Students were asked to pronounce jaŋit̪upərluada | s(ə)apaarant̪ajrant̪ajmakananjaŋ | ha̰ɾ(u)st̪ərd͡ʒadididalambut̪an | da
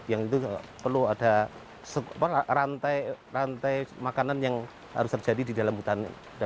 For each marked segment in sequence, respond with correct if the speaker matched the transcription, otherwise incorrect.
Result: correct, incorrect

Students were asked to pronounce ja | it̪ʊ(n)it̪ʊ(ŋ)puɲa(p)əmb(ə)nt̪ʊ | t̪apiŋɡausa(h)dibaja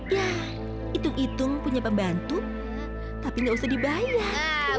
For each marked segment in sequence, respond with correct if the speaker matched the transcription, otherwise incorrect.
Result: incorrect, correct, correct, incorrect, correct

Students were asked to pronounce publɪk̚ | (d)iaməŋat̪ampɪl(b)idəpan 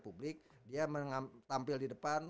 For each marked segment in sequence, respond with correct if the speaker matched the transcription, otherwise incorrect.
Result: correct, incorrect

